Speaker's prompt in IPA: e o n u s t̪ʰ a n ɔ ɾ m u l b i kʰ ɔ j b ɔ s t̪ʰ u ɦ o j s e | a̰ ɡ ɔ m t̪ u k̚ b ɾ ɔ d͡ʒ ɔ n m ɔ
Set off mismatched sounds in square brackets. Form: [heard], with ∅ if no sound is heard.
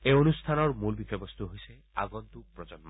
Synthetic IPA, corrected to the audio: e o n u s t̪ʰ a n ɔ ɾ m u l b i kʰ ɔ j b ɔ s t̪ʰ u ɦ o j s e | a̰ ɡ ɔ [n] t̪ u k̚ [p] ɾ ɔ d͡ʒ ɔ n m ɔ